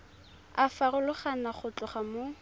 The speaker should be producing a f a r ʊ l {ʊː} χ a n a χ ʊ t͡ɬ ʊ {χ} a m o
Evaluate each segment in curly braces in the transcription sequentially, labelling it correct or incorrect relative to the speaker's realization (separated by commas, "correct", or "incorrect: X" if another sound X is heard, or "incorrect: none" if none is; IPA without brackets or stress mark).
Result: incorrect: ʊ, correct